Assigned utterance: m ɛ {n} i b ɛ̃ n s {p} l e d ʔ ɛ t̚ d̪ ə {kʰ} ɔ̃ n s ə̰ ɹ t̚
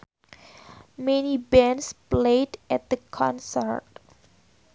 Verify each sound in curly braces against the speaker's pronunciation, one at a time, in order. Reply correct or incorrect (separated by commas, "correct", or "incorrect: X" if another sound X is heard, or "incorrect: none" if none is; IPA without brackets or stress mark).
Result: correct, correct, correct